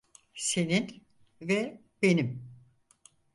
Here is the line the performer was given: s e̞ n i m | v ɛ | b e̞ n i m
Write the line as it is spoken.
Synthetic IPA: s e̞ n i n | v ɛ | b e̞ n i m